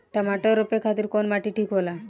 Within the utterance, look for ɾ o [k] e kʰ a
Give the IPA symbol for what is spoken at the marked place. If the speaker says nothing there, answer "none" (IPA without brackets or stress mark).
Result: p